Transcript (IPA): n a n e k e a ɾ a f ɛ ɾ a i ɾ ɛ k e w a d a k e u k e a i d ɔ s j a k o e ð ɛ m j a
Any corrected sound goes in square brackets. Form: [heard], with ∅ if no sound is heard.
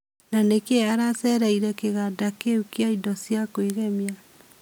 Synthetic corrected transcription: n a n e k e a ɾ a [s] ɛ ɾ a i ɾ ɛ k e [ɣ] a d a k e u k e a i d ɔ s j a k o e [ɣ] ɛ m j a